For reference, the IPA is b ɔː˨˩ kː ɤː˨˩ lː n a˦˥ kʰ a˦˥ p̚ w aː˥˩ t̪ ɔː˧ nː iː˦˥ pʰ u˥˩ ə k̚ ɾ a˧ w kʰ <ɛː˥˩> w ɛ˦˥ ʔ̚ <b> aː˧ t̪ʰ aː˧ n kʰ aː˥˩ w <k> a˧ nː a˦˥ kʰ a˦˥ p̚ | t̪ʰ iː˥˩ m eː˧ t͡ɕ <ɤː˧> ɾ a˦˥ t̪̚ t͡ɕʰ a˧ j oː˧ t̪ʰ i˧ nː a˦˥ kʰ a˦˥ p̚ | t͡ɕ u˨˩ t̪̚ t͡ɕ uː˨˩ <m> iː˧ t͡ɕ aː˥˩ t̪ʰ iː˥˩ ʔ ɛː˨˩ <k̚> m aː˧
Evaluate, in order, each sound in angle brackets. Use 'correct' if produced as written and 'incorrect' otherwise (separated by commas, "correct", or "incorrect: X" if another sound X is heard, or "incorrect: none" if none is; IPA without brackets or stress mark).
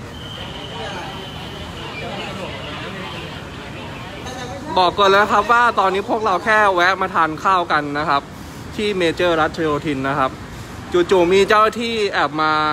correct, incorrect: m, correct, incorrect: ɤː˥˩, correct, incorrect: p̚